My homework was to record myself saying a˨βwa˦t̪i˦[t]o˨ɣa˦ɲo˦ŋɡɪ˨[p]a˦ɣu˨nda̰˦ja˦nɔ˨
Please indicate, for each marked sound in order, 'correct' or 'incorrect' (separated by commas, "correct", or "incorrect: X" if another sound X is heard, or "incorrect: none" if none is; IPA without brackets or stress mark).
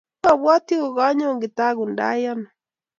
incorrect: none, incorrect: t